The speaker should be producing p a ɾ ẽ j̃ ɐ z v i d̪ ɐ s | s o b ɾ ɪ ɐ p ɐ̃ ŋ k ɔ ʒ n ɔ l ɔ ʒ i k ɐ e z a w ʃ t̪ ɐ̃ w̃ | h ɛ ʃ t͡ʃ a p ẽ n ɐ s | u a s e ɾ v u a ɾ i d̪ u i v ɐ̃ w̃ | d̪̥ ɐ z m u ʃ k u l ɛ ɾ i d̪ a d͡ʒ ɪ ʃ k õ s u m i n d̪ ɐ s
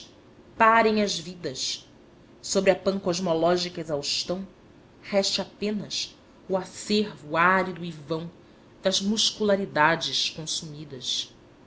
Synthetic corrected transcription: p a ɾ ẽ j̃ ɐ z v i d̪ ɐ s | s o b ɾ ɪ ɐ p ɐ̃ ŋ k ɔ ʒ m ɔ l ɔ ʒ i k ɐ e z a w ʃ t̪ ɐ̃ w̃ | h ɛ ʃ t͡ʃ a p ẽ n ɐ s | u a s e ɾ v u a ɾ i d̪ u i v ɐ̃ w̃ | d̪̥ ɐ z m u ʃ k u l a ɾ i d̪ a d͡ʒ ɪ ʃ k õ s u m i d̪ ɐ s

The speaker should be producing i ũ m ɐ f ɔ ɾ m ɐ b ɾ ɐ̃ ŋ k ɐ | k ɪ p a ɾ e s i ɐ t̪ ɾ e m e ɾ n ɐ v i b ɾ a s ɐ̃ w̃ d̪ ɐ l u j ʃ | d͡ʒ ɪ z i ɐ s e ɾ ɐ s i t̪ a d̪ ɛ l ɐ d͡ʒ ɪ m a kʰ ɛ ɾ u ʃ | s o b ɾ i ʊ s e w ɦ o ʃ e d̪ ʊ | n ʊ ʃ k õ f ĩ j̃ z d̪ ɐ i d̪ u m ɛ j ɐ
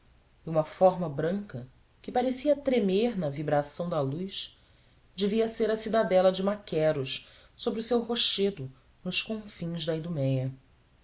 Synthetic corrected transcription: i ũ m ɐ f ɔ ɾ m ɐ b ɾ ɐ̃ ŋ k ɐ | k ɪ p a ɾ e s i ɐ t̪ ɾ e m e ɾ n ɐ v i b ɾ a s ɐ̃ w̃ d̪ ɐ l u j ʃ | d͡ʒ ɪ v i ɐ s e ɾ ɐ s i d̪ a d̪ ɛ l ɐ d͡ʒ ɪ m a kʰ ɛ ɾ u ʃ | s o b ɾ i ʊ s e w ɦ o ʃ e d̪ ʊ | n ʊ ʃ k õ f ĩ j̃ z d̪ ɐ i d̪ u m ɛ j ɐ

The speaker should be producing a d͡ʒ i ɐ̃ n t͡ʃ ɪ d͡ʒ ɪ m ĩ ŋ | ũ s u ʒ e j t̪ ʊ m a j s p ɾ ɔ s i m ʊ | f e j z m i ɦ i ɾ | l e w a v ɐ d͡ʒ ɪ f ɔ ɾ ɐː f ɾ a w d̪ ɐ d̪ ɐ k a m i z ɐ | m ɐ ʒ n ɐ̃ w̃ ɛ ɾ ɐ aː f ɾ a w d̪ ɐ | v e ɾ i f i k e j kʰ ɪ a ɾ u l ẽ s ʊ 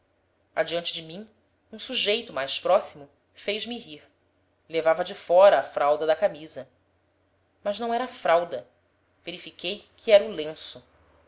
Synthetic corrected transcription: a d͡ʒ i ɐ̃ n t͡ʃ ɪ d͡ʒ ɪ m ĩ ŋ | ũ s u ʒ e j t̪ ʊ m a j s p ɾ ɔ s i m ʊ | f e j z m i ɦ i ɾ | l e v a v ɐ d͡ʒ ɪ f ɔ ɾ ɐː f ɾ a w d̪ ɐ d̪ ɐ k a m i z ɐ | m ɐ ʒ n ɐ̃ w̃ ɛ ɾ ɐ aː f ɾ a w d̪ ɐ | v e ɾ i f i k e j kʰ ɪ ɛ ɾ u l ẽ s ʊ

